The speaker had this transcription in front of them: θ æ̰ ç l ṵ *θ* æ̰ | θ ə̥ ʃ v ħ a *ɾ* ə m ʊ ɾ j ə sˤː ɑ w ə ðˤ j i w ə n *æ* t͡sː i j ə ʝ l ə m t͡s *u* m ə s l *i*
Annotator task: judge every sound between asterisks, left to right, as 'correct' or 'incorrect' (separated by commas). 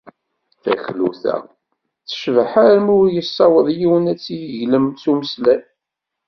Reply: correct, correct, correct, correct, incorrect